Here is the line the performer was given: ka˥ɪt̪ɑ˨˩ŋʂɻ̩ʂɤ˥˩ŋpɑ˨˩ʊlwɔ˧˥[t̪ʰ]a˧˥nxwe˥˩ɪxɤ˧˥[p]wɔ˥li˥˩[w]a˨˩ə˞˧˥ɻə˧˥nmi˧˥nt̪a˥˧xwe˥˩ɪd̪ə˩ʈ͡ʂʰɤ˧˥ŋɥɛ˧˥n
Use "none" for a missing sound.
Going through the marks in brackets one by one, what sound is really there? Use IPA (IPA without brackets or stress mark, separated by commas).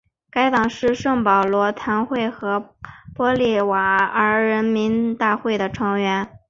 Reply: t̪ʰ, p, w